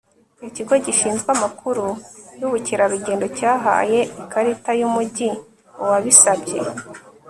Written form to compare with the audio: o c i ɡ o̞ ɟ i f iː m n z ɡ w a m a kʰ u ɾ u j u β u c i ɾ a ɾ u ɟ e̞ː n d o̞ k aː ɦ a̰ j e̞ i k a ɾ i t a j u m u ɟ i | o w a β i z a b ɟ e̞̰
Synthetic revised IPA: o c i ɡ o̞ ɟ i ʃ iː n z ɡ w a m a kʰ u ɾ u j u β u c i ɾ a ɾ u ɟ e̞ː n d o̞ c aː ɦ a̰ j e̞ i k a ɾ i t a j u m u ɟ i | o w a β i s a b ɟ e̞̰